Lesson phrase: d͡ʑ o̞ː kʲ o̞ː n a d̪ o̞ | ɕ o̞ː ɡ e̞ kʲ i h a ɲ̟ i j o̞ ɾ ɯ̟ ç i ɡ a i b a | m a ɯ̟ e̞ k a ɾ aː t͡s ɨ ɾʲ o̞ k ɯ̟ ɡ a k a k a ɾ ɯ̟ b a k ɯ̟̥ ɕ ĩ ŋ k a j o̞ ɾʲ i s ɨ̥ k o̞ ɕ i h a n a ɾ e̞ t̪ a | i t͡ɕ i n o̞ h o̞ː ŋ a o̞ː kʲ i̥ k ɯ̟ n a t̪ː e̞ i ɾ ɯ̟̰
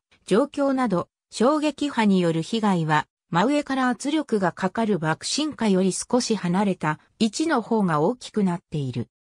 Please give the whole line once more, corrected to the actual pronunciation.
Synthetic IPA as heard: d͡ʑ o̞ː kʲ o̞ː n a d̪ o̞ | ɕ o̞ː ɡ e̞ kʲ i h a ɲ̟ i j o̞ ɾ ɯ̟ ç i ɡ a i β a | m a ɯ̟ e̞ k a ɾ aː t͡s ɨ ɾʲ o̞ k ɯ̟ ɡ a k a k a ɾ ɯ̟ b a k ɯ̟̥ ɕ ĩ ŋ k a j o̞ ɾʲ i s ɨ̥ k o̞ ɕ i h a n a ɾ e̞ t̪ a | i t͡ɕ i n o̞ h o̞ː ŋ a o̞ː kʲ i̥ k ɯ̟ n a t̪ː e̞ i ɾ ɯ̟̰

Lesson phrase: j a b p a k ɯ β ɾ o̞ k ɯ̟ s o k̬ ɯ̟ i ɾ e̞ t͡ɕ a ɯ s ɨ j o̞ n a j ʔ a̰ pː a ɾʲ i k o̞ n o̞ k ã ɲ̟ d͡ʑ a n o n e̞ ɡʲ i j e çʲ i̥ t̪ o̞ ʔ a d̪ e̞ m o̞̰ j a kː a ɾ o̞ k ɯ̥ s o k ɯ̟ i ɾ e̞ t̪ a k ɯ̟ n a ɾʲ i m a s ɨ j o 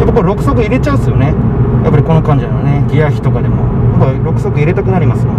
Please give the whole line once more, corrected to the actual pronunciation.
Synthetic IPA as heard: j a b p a k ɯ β ɾ o̞ k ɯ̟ s o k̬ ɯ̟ i ɾ e̞ t͡ɕ a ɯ s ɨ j o̞ n e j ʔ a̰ pː a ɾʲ i k o̞ n o̞ k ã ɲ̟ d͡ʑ a n o n e̞ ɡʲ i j a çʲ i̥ t̪ o̞ k a d̪ e̞ m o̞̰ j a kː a ɾ o̞ k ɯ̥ s o k ɯ̟ i ɾ e̞ t̪ a k ɯ̟ n a ɾʲ i m a s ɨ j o

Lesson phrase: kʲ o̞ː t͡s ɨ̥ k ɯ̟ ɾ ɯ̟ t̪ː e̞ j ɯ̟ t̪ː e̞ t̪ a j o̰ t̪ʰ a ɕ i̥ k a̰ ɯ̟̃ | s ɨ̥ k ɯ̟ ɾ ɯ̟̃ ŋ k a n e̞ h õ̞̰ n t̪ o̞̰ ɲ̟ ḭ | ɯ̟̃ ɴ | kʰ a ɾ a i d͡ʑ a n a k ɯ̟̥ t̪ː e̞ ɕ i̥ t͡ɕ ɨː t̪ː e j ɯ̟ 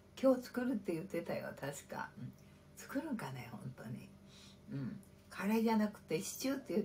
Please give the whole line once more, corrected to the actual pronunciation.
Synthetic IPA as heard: kʲ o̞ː t͡s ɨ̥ k ɯ̟ ɾ ɯ̟ t̪ː e̞ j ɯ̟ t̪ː e̞ t̪ a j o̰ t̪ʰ a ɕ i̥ k a̰ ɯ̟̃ | t͡s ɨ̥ k ɯ̟ ɾ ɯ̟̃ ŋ k a n e̞ h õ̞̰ n t̪ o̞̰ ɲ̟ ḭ | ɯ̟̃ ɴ | kʰ a ɾ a i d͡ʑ a n a k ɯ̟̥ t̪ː e̞ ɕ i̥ t͡ɕ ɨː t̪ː e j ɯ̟

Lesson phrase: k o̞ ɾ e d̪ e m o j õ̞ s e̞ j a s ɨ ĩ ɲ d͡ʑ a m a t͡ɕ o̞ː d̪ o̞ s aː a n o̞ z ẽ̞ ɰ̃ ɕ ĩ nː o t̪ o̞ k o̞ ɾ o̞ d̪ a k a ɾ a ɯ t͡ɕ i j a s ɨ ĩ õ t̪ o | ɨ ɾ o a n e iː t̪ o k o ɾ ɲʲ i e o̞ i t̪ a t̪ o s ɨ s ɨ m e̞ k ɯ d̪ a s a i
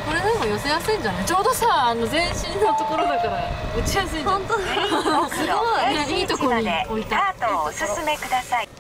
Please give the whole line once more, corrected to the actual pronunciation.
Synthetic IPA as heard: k o̞ ɾ e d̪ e m o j o̞ s e̞ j a s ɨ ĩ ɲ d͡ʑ a n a t͡ɕ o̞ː d̪ o̞ s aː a n o̞ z ẽ̞ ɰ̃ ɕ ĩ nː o t̪ o̞ k o̞ ɾ o̞ d̪ a k a ɾ a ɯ t͡ɕ i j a s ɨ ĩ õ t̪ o | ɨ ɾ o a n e iː t̪ o k o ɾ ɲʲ i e o̞ i t̪ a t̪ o s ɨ s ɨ m e̞ k ɯ d̪ a s a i

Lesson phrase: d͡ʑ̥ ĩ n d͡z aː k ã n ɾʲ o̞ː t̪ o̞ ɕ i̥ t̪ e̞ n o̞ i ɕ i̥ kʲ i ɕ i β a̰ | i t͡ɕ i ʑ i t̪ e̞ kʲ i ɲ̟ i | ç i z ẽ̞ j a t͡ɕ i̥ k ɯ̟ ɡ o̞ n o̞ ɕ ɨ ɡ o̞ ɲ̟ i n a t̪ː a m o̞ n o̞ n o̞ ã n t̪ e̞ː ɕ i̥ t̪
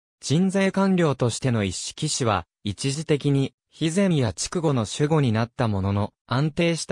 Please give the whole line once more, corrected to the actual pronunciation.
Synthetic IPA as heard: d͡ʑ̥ ĩ n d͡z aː k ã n ɾʲ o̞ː t̪ o̞ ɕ i̥ t̪ e̞ n o̞ i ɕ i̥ kʲ i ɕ i β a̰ | i t͡ɕ i ʑ i t̪ e̞ kʲ i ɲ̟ i | ç i z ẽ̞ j a t͡ɕ i̥ k ɯ̟ ɡ o̞ n o̞ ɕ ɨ ɡ o̞ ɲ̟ i n a t̪ː a m o̞ n o̞ n o̞ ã n t̪ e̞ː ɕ i̥ t̪

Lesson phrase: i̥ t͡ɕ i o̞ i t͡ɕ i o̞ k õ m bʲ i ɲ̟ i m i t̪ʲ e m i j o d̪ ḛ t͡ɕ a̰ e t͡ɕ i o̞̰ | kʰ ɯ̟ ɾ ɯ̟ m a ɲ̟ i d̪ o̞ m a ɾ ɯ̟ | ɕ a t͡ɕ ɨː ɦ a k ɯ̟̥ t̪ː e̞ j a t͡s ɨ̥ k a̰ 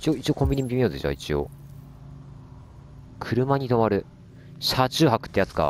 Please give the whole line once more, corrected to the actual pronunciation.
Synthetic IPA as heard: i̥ t͡ɕ i o̞ i t͡ɕ i o̞ k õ m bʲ i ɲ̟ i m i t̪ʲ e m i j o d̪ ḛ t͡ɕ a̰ i t͡ɕ i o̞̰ | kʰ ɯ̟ ɾ ɯ̟ m a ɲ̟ i t̪ o̞ m a ɾ ɯ̟ | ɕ a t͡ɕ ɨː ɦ a k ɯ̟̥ t̪ː e̞ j a t͡s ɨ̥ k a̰

